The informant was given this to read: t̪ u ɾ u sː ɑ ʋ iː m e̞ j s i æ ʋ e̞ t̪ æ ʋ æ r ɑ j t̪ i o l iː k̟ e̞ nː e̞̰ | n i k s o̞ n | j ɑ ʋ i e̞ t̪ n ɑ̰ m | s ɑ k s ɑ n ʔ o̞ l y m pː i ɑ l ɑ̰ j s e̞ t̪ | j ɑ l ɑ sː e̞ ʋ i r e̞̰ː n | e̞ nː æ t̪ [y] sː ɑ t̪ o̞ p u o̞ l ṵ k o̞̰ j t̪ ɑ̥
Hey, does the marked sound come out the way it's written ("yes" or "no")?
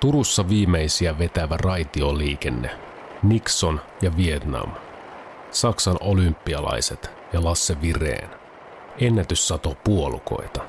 yes